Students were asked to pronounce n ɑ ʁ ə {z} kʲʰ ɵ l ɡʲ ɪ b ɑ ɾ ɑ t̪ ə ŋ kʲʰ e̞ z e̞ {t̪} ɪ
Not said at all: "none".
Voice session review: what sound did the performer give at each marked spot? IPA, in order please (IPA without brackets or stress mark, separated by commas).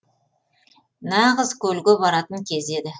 z, d̪